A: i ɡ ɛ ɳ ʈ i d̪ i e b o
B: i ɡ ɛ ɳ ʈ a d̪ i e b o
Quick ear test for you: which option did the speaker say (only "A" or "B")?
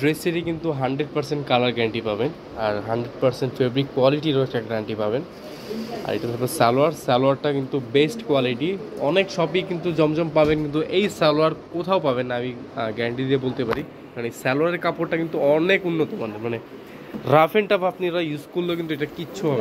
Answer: A